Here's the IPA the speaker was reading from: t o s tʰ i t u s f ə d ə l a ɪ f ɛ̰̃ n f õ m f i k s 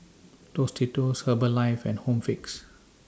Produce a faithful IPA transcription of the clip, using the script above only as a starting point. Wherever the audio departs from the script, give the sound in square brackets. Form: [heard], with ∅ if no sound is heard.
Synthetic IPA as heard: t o s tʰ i t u s [h] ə [b] ə l a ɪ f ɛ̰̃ n [h] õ m f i k s

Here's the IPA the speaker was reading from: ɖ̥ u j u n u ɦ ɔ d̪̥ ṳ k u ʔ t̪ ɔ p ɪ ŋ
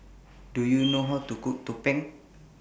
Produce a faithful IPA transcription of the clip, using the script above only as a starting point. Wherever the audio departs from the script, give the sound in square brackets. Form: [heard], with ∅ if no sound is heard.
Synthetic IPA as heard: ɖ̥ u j u n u ɦ ɔ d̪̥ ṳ k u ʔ t̪ [u] p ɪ ŋ

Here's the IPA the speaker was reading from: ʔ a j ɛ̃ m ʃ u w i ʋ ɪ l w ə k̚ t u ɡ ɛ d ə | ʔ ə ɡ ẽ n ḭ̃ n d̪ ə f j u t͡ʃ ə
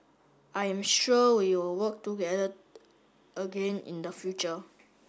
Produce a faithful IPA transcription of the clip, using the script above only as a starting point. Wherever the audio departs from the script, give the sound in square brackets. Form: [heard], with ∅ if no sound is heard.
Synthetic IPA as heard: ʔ a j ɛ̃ m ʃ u w i [w] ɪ l w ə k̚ t u ɡ ɛ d ə | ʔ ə ɡ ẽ n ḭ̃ n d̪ ə f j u t͡ʃ ə

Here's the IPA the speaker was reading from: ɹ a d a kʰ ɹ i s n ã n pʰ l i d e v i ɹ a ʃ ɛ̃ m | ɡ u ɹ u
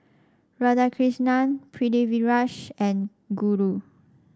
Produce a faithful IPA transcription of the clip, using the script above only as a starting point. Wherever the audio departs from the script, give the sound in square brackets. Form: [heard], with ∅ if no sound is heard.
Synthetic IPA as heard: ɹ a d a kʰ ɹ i s n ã n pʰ [ɹ] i d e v i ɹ a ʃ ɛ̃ [n] | ɡ u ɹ u

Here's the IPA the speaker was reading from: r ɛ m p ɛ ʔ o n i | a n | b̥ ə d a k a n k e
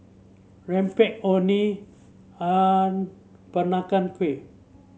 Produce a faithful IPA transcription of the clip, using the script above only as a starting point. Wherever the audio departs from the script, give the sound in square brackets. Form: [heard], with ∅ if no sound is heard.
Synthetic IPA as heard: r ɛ m p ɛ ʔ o n i | a n | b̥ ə [n] a k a n k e

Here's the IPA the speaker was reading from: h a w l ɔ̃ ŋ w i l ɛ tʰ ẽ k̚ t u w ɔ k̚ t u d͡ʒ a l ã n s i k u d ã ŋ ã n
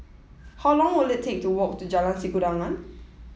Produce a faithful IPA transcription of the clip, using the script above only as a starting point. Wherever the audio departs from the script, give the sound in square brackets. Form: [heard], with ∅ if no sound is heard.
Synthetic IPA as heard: h a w l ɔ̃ ŋ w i l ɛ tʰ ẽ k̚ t u w ɔ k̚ t u d͡ʒ a l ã n s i k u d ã ŋ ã n

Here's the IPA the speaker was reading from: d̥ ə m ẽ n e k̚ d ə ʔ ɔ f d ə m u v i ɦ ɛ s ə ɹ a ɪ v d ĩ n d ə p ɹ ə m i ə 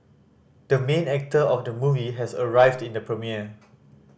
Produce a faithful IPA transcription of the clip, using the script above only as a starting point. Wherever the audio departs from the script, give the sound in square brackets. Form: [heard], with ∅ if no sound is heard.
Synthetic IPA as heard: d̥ ə m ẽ n [ɛ] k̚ [t] ə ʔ ɔ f d ə m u v i ɦ ɛ s ə ɹ a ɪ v d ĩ n d ə p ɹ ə m i ə

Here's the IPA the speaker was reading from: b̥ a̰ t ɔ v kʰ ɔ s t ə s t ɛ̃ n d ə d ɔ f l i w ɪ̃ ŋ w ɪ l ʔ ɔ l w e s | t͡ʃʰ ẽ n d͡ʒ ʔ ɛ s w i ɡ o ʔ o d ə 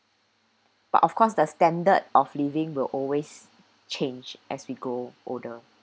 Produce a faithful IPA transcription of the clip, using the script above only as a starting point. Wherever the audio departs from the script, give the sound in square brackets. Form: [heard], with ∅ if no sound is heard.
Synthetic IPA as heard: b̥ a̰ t ɔ [f] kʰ ɔ s [d] ə s t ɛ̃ n d ə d ɔ f l i [v] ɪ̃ ŋ w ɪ l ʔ ɔ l w e s | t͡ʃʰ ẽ n d͡ʒ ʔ ɛ s w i ɡ o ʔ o d ə

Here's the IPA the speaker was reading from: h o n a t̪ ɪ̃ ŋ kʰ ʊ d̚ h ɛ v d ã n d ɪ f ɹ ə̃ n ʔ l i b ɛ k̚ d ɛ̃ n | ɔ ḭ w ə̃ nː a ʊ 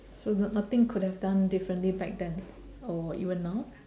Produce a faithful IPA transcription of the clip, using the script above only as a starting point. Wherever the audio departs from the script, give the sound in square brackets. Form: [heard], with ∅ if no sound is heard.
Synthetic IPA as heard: [s] o n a t̪ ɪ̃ ŋ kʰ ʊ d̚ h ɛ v d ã n d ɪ f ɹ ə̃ n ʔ l i b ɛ k̚ d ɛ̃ n | ɔ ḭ [v] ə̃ nː a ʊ

